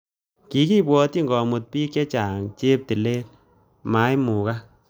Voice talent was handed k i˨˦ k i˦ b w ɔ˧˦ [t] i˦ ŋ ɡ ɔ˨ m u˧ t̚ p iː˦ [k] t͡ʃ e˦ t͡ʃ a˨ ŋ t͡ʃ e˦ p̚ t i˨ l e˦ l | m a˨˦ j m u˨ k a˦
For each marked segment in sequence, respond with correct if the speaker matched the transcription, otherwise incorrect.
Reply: correct, correct

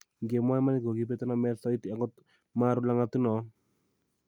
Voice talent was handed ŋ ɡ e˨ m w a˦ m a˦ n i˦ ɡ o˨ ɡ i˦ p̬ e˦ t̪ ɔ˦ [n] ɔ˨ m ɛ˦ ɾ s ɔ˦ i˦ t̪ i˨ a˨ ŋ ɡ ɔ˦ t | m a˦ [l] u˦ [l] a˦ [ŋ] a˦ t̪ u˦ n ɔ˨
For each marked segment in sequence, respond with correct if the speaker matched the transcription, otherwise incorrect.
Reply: correct, incorrect, correct, correct

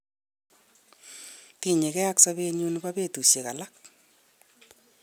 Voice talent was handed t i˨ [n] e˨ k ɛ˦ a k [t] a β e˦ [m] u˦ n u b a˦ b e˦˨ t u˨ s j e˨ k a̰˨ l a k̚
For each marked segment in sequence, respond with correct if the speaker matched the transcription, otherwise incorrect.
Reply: incorrect, incorrect, incorrect

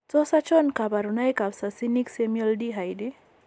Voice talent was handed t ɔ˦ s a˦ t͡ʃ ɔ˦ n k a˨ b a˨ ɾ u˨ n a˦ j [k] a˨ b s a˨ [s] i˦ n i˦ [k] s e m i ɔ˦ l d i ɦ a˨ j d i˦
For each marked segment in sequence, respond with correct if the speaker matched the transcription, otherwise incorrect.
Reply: correct, correct, correct

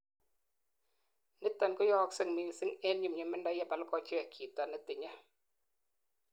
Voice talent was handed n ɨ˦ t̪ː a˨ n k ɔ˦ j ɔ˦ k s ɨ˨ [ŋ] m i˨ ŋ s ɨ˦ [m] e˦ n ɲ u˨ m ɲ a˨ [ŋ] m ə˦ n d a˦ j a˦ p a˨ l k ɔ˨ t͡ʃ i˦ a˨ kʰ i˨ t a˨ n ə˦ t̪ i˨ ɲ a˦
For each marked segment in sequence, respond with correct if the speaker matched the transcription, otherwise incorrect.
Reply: correct, incorrect, incorrect

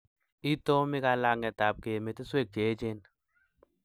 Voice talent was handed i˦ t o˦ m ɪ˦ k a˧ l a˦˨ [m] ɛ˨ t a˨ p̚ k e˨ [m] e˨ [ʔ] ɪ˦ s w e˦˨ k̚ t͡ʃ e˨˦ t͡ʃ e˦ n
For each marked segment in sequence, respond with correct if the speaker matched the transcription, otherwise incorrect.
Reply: incorrect, correct, incorrect

